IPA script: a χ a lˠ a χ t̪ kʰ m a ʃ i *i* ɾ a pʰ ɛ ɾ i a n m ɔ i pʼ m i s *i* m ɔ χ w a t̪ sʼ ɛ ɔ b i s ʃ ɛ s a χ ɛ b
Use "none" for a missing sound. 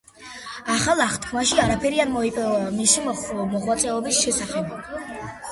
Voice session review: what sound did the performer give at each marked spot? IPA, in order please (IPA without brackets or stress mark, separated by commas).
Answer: a, i